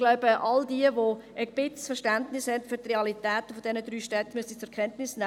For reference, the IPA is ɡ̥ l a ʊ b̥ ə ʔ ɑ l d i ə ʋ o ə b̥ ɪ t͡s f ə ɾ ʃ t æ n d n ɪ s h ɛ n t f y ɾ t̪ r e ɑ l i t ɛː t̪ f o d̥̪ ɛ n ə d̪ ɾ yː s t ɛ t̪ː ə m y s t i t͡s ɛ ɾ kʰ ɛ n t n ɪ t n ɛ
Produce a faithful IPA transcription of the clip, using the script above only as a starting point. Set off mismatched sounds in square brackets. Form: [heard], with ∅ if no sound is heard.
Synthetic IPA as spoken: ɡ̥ l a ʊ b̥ ə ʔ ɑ l d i ə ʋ o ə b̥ ɪ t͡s f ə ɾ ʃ t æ n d n ɪ s h ɛ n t f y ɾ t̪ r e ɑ l i t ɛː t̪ f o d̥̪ ɛ n ə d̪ ɾ yː [ʃ] t ɛ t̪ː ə m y s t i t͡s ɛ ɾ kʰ ɛ n t n ɪ [s] n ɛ